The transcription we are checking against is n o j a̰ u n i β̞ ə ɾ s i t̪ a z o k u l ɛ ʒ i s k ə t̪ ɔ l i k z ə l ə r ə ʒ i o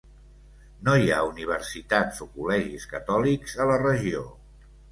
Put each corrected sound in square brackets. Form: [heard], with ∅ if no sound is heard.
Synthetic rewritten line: n o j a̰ u n i β̞ ə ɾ s i t̪ a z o k u l ɛ ʒ i s k ə t̪ ɔ l i k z ə l ə r ə ʒ i o